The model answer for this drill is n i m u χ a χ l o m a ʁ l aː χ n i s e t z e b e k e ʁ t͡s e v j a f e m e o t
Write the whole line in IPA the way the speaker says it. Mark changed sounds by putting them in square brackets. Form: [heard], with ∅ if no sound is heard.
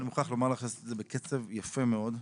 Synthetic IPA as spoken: n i m u χ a χ l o m a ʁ l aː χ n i s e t z e b e k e [∅] t͡s e v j a f e m e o [d]